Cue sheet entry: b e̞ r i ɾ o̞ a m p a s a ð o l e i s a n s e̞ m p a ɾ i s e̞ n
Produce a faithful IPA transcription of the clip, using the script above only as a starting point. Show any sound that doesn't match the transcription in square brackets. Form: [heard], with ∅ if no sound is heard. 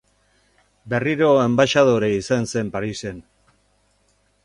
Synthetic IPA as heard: b e̞ r i ɾ o̞ [e] m [b] a [ʃ] a ð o [ɾ] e i s a n s e̞ m p a ɾ i s e̞ n